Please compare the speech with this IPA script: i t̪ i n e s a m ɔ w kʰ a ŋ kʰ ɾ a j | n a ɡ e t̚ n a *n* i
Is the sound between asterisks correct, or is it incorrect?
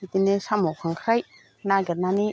correct